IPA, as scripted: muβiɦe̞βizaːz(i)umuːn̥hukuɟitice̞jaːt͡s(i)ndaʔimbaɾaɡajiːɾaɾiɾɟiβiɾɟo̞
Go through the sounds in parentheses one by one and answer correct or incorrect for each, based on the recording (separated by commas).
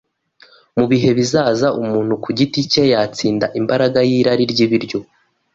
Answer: incorrect, incorrect